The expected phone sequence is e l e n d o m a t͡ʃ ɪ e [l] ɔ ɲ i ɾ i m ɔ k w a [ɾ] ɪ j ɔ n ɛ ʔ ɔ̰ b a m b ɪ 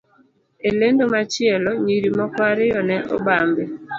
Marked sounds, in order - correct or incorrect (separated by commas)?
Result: correct, correct